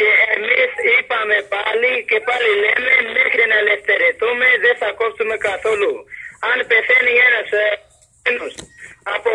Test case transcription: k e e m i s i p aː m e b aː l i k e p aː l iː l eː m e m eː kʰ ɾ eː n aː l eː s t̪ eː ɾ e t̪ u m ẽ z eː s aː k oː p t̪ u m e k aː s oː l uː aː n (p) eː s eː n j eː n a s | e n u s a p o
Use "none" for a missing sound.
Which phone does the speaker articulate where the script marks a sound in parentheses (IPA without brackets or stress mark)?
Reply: p